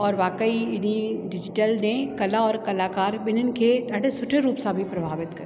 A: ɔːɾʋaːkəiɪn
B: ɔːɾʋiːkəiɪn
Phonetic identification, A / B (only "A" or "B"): A